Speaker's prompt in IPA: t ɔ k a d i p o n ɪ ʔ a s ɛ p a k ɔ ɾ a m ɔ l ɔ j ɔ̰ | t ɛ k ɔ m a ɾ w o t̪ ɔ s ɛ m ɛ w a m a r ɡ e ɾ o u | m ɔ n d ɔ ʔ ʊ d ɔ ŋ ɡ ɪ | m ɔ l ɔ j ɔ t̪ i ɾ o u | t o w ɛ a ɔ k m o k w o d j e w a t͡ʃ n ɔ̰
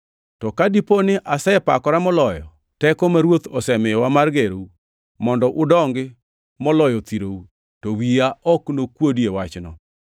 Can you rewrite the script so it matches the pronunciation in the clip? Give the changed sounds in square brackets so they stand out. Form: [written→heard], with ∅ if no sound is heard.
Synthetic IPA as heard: t ɔ k a d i p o n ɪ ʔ a s ɛ p a k ɔ ɾ a m ɔ l ɔ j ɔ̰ | t ɛ k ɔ m a ɾ w o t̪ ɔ s ɛ m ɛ w a m a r ɡ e ɾ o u | m ɔ n d ɔ ʔ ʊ d ɔ ŋ ɡ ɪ | m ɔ l ɔ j ɔ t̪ i ɾ o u | t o w [ɛ→i] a ɔ k [m→n] o k w o d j e w a t͡ʃ n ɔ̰